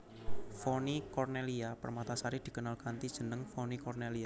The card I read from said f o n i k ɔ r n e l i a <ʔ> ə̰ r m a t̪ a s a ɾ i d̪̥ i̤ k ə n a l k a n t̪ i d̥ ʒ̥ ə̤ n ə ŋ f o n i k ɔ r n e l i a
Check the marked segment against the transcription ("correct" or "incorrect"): incorrect